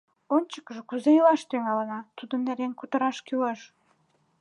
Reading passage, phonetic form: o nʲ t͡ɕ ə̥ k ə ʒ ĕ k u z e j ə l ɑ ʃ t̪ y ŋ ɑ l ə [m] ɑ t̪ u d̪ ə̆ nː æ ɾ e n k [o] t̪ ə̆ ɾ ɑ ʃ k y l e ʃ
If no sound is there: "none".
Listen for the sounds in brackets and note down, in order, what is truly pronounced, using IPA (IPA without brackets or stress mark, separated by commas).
n, u